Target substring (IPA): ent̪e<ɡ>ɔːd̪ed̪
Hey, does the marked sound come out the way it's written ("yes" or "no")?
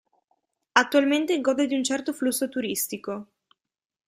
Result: yes